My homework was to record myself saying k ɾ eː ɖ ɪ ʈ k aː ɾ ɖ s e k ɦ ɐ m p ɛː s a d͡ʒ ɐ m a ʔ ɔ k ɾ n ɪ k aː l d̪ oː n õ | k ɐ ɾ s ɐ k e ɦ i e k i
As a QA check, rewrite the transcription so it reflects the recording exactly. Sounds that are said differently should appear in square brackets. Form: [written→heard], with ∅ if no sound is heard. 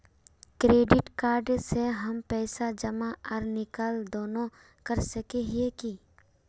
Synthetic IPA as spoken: k ɾ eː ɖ ɪ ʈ k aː ɾ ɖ s e [k→∅] ɦ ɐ m p ɛː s a d͡ʒ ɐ m a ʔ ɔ [k→∅] ɾ n ɪ k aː l d̪ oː n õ | k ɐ ɾ s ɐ k e ɦ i e k i

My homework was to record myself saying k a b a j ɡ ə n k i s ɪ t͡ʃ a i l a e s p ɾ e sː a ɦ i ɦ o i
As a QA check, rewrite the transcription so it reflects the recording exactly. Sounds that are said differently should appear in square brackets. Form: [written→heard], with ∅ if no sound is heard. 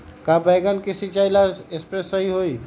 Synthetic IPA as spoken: k a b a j ɡ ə n k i s [ɪ→i] t͡ʃ a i l a e s p ɾ e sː [a→ə] ɦ i ɦ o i

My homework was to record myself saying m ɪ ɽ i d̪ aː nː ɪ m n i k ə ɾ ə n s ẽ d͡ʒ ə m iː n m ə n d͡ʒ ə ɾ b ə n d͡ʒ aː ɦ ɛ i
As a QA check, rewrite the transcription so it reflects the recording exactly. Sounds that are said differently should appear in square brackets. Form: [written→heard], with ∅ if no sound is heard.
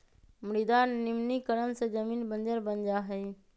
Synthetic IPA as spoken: m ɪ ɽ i d̪ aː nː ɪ m n i k ə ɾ ə n s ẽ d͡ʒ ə m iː n [m→b] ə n d͡ʒ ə ɾ b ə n d͡ʒ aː ɦ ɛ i

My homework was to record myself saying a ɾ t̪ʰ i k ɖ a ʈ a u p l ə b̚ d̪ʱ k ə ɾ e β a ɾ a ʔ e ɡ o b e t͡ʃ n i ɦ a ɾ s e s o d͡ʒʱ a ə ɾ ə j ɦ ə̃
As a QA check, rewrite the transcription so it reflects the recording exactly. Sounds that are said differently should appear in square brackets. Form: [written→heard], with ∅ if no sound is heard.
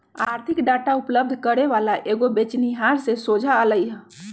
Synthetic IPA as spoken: a ɾ t̪ʰ i k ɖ a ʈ a u p l ə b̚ d̪ʱ k ə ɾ e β a [ɾ→l] a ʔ e ɡ o b e t͡ʃ n i ɦ a ɾ s e s o d͡ʒʱ a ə [ɾ→l] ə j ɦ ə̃

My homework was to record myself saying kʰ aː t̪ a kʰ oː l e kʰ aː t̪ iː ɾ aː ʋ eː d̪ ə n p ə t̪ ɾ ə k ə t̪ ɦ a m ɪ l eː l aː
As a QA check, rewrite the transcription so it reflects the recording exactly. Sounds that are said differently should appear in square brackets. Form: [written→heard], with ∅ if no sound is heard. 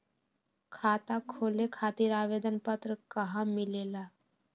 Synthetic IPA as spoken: kʰ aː t̪ a kʰ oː l e kʰ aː t̪ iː ɾ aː ʋ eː d̪ ə n p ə t̪ ɾ ə k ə [t̪→∅] ɦ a m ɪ l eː l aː

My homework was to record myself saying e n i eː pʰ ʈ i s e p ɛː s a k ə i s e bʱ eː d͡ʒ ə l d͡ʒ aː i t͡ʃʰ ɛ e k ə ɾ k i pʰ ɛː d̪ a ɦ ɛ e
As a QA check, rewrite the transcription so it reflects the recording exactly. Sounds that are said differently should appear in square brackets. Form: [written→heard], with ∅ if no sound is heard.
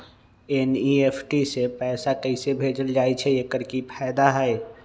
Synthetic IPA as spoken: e n i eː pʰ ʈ i s e p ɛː s a k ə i s e bʱ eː d͡ʒ ə l d͡ʒ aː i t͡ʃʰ ɛ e k ə ɾ k i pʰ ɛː d̪ a ɦ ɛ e

